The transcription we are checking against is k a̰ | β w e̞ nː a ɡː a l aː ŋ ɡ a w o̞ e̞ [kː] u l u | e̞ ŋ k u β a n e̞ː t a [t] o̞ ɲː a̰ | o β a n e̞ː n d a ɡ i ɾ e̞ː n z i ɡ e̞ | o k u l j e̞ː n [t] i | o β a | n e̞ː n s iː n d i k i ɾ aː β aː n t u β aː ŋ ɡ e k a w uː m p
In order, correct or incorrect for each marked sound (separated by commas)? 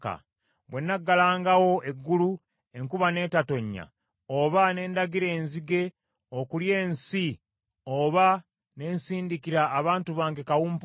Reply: incorrect, correct, incorrect